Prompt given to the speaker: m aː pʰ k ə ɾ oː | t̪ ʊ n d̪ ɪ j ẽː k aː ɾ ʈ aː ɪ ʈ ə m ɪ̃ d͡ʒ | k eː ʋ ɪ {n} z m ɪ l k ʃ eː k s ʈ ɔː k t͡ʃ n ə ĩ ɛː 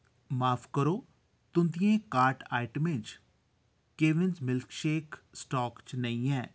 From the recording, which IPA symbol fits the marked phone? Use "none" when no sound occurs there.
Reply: n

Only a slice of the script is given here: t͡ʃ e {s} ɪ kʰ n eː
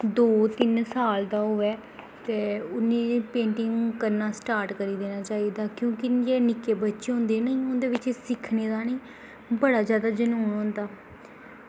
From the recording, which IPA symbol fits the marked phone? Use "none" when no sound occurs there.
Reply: s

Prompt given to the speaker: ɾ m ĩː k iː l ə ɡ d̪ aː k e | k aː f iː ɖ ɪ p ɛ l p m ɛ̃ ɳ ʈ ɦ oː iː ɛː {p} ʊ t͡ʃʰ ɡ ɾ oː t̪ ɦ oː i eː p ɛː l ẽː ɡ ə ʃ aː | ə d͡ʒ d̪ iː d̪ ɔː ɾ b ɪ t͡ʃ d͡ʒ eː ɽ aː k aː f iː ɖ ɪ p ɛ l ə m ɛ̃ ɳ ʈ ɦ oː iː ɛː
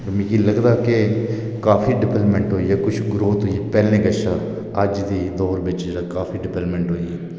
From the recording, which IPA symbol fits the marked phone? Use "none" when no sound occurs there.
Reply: k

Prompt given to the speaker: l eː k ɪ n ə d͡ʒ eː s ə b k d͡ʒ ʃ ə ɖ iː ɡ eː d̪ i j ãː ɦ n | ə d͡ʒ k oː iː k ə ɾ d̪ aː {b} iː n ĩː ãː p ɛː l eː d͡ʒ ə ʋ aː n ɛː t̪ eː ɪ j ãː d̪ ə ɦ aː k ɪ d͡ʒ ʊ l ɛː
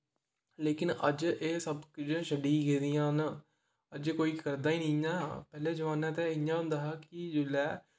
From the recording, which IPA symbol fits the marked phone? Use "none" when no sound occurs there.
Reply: none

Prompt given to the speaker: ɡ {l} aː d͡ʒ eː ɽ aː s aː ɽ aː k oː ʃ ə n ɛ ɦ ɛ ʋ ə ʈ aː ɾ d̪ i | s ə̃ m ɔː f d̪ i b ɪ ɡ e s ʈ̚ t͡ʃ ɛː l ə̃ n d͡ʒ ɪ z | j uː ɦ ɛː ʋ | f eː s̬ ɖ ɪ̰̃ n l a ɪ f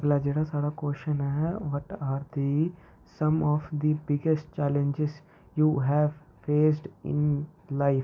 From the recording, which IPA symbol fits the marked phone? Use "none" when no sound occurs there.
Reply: l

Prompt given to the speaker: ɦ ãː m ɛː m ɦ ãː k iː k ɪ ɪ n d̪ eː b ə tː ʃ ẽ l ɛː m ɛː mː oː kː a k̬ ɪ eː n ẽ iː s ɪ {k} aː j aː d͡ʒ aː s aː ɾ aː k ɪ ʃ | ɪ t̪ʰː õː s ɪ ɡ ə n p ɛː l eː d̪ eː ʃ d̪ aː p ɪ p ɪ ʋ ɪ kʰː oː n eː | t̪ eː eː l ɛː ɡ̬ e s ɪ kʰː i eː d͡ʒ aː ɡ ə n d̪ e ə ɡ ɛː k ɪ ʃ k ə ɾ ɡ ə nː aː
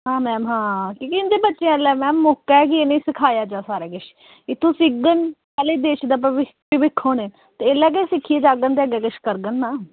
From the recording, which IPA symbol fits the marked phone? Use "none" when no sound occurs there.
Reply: kʰ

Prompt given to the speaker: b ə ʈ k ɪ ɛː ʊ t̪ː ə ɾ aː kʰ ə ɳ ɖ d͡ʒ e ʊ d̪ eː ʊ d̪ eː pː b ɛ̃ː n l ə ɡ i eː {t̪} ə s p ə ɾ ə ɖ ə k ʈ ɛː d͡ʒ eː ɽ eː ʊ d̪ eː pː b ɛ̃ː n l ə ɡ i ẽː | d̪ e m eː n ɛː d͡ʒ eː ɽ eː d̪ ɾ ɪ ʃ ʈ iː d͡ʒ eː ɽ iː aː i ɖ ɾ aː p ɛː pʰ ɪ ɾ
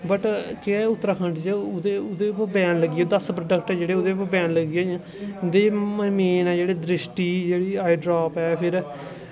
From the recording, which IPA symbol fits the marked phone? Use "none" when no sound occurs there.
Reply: d̪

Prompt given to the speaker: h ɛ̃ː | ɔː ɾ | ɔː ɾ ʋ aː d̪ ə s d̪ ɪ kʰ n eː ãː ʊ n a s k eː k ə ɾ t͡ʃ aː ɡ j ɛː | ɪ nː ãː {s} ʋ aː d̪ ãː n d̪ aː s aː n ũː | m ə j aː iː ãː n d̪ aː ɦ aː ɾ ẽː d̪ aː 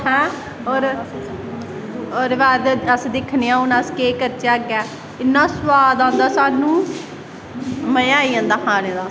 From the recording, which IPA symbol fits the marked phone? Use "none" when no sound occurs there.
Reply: s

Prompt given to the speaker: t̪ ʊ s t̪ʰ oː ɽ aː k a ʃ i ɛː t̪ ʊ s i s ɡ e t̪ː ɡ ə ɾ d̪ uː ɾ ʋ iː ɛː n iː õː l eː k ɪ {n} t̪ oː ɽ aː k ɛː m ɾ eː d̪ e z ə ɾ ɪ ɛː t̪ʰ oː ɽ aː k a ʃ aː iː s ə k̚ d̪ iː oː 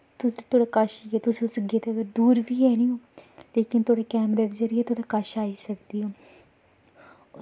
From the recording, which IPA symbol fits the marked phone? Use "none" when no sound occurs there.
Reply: n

